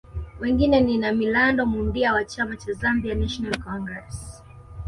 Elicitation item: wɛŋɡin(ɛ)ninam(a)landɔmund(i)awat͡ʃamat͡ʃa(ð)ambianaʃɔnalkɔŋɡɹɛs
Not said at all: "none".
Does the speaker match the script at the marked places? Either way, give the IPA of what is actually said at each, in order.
ɛ, i, i, z

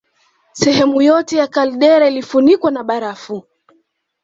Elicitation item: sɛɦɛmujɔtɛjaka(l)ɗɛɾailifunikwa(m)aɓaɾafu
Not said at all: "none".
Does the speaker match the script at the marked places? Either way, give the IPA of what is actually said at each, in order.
l, n

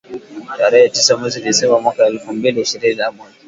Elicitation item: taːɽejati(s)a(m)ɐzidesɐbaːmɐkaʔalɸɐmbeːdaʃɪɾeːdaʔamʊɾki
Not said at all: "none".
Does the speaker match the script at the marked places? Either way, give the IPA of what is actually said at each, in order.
s, m

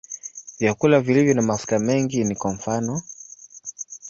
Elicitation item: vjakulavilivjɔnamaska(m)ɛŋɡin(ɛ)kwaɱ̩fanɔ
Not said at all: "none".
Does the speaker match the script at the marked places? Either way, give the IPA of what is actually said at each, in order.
m, i

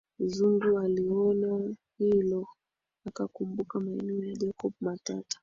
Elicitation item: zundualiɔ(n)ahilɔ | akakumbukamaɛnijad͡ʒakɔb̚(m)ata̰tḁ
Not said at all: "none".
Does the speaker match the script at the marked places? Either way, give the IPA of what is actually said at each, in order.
n, m

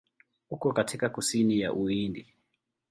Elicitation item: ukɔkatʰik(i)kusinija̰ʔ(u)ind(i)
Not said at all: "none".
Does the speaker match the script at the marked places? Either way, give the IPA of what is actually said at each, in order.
a, u, i

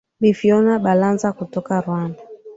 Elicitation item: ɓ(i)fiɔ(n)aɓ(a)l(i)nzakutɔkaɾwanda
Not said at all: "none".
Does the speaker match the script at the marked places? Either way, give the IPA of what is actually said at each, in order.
i, n, a, a

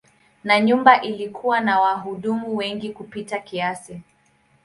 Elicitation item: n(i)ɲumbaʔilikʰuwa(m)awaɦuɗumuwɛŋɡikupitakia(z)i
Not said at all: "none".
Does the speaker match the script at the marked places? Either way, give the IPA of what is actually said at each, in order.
a, n, s

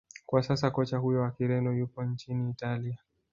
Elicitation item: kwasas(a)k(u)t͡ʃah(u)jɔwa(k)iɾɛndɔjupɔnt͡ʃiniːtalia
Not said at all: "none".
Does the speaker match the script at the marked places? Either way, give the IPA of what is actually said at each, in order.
a, ɔ, u, k

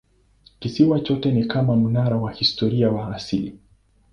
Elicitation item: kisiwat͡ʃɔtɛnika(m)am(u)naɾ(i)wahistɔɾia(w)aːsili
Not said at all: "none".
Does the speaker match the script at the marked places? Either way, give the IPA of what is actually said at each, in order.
m, u, a, w

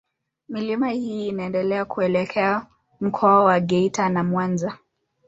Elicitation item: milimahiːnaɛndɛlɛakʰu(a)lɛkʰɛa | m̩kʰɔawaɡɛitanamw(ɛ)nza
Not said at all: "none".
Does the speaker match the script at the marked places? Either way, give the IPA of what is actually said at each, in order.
ɛ, a

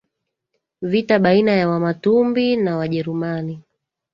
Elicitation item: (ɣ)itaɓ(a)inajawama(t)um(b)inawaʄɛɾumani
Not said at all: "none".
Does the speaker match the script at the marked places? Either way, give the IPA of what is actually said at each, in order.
v, a, t, b

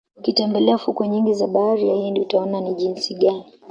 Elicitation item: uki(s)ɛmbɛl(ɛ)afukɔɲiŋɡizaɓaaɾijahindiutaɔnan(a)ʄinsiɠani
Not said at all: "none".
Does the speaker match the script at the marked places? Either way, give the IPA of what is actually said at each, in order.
t, ɛ, i

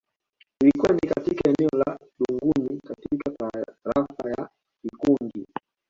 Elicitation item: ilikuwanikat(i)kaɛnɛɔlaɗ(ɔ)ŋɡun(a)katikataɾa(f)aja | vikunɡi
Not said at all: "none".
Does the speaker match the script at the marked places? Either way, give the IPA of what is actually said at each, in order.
i, u, i, f

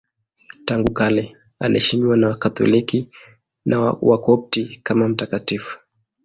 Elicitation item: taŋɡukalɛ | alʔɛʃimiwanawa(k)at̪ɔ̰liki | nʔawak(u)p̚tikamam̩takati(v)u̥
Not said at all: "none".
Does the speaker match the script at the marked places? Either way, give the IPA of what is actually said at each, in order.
k, ɔ, f

